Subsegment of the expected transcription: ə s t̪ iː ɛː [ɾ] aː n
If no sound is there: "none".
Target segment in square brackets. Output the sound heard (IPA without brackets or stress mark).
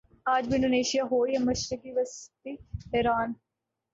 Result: ɾ